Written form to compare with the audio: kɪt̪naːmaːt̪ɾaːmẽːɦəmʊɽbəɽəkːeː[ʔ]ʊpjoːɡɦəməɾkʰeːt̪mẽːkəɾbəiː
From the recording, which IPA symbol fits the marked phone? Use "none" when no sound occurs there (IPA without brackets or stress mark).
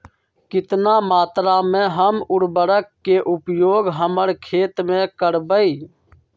ʔ